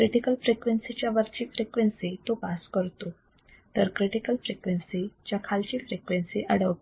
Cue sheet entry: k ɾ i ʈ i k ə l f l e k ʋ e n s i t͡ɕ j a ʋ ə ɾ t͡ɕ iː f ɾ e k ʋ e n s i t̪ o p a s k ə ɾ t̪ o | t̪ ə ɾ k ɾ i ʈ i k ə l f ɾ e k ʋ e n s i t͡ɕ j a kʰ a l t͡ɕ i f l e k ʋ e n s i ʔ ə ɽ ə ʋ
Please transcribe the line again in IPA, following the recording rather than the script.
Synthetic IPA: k ɾ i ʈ i k ə l f ɾ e k ʋ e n s i t͡ɕ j a ʋ ə ɾ t͡ɕ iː f ɾ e k ʋ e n s i t̪ o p a s k ə ɾ t̪ o | t̪ ə ɾ k ɾ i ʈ i k ə l f ɾ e k ʋ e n s i t͡ɕ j a kʰ a l t͡ɕ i f ɾ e k ʋ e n s i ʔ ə ɽ ə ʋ